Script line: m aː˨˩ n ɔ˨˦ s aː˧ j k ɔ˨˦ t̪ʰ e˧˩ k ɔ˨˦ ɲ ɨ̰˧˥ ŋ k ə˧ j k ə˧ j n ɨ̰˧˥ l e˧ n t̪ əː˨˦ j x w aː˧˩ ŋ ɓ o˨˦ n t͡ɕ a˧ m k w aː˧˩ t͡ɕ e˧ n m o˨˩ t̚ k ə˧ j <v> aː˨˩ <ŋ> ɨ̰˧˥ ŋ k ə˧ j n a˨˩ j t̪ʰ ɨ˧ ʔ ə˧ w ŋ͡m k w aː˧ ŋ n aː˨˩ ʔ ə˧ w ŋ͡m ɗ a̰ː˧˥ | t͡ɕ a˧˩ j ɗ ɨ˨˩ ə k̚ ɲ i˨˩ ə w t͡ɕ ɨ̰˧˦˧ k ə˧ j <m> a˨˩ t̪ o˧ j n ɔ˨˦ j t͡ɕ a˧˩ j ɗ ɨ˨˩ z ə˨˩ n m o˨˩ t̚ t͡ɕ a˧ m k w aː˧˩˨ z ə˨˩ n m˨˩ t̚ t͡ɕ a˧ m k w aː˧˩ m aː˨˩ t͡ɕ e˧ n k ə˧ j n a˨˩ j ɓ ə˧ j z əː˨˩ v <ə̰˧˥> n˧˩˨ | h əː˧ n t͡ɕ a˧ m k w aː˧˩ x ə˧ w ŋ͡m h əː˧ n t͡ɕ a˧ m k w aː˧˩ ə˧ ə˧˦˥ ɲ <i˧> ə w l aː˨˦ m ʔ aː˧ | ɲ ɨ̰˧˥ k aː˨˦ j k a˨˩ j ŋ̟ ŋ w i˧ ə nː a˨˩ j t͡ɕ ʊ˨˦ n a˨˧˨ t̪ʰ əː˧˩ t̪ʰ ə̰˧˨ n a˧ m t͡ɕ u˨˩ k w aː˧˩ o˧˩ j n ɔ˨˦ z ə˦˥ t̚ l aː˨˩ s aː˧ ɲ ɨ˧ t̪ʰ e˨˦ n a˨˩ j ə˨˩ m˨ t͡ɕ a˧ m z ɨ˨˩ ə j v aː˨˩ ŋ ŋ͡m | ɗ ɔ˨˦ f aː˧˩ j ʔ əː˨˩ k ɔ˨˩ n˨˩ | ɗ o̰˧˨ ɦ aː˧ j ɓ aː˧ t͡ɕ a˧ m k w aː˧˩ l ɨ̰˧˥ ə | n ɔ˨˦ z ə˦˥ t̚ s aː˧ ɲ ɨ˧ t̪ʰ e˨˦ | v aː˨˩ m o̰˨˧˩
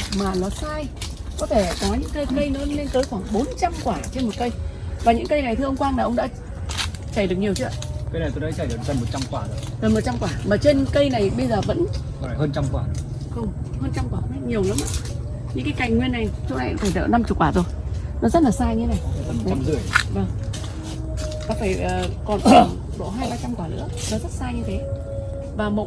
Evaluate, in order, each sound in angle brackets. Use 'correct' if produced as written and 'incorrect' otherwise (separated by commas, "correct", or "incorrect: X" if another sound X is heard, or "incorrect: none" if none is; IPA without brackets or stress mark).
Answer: correct, incorrect: ɲ, incorrect: n, correct, incorrect: i˨˩